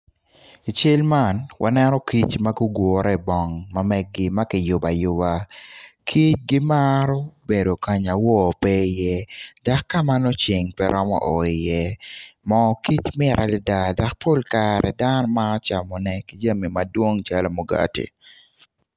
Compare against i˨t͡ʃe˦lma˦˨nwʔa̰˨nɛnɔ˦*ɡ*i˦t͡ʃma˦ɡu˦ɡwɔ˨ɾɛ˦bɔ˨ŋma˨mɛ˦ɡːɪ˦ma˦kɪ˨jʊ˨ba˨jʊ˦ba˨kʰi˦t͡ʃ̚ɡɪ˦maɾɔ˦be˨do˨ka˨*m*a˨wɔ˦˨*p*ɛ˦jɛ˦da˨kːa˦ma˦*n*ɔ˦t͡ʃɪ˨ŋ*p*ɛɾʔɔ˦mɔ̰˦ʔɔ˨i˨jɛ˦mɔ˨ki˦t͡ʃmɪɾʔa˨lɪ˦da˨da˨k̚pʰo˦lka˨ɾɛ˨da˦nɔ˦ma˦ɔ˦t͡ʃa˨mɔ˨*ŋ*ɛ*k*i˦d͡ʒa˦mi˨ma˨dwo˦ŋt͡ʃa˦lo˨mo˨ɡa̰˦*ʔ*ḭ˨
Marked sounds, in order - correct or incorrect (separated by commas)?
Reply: incorrect, incorrect, correct, correct, correct, incorrect, correct, incorrect